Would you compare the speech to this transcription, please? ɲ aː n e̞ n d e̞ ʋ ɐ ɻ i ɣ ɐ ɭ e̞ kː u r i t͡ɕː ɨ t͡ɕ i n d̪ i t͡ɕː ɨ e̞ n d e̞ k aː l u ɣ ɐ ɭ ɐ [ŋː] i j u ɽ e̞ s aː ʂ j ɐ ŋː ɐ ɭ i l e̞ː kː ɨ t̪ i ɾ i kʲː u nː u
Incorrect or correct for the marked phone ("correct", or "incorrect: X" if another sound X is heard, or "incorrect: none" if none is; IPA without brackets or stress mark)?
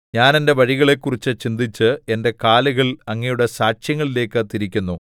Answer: correct